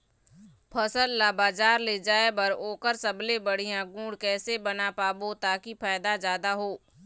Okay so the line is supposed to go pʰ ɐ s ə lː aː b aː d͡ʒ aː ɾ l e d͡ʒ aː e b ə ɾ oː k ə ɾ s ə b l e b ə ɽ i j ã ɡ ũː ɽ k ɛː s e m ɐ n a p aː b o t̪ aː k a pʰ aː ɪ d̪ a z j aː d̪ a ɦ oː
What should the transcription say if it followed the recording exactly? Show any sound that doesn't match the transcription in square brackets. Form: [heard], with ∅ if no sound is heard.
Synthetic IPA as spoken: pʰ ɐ s ə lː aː b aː d͡ʒ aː ɾ l e d͡ʒ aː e b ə ɾ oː k ə ɾ s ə b l e b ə ɽ i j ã ɡ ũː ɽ k ɛː s e [b] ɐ n a p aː b o t̪ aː k [i] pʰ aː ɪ d̪ a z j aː d̪ a ɦ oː